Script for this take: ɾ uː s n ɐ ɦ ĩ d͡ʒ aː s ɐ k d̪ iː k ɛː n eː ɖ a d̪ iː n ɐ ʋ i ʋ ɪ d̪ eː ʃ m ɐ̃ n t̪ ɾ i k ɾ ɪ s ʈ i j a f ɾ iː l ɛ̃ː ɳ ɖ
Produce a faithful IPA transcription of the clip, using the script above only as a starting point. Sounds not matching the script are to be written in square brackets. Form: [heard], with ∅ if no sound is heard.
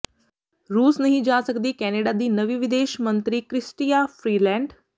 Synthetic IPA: ɾ uː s n ɐ ɦ ĩ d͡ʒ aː s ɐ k d̪ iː k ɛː n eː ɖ a d̪ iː n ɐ ʋ i ʋ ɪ d̪ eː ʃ m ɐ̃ n t̪ ɾ i k ɾ ɪ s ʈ i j a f ɾ iː l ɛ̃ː ɳ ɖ